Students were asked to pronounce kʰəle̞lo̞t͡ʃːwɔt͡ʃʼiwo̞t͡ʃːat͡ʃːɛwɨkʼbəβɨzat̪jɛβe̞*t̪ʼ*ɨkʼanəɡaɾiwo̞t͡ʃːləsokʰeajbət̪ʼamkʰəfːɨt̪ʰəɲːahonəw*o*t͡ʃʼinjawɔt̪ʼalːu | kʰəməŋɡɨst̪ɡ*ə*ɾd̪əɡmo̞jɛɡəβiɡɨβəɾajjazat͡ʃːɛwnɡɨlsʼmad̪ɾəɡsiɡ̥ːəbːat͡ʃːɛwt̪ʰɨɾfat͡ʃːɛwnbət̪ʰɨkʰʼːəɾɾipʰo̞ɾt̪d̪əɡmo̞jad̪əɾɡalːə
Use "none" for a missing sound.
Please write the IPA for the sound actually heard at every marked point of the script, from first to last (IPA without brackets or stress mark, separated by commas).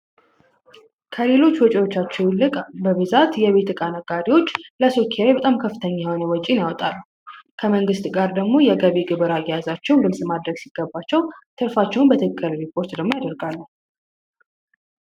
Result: t̪, ɔ, a